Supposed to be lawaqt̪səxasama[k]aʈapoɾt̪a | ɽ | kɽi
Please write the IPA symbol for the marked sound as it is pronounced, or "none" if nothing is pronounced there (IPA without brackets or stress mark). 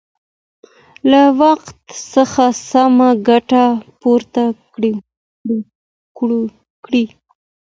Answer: ɡ